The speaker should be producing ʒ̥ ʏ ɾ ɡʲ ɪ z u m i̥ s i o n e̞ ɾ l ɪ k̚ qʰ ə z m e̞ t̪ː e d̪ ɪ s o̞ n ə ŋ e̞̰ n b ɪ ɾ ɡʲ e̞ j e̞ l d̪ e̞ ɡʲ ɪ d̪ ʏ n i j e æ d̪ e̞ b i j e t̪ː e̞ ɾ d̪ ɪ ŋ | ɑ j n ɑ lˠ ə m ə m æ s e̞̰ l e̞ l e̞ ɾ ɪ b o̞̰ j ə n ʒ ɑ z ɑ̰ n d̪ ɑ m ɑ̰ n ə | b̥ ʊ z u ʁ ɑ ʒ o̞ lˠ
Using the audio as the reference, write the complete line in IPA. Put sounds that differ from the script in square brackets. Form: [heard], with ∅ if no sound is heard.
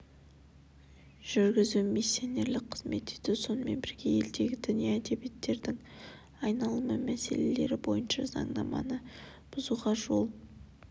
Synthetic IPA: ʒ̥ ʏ ɾ ɡʲ ɪ z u m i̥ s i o n e̞ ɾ l ɪ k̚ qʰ ə z m e̞ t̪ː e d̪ ɪ s o̞ n ə [m] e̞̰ n b ɪ ɾ ɡʲ e̞ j e̞ l d̪ e̞ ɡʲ ɪ d̪ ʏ n i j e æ d̪ e̞ b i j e t̪ː e̞ ɾ d̪ ɪ ŋ | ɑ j n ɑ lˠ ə m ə m æ s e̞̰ l e̞ l e̞ ɾ ɪ b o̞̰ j ə n [ʃ] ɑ z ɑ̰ [ɴ] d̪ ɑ m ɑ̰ n ə | b̥ ʊ z u ʁ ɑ ʒ o̞ lˠ